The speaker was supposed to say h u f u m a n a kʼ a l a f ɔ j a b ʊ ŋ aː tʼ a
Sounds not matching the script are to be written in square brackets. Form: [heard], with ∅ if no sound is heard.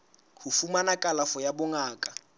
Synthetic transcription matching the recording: h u f u m a n a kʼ a l a f ɔ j a b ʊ ŋ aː [kʼ] a